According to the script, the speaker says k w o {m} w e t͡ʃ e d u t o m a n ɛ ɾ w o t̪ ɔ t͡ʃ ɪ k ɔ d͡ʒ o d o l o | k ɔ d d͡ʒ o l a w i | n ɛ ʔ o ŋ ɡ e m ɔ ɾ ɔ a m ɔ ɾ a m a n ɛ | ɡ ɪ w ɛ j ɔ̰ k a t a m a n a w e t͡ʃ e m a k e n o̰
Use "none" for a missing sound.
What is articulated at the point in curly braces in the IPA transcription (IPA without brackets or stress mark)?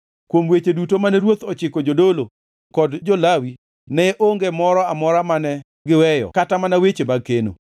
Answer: m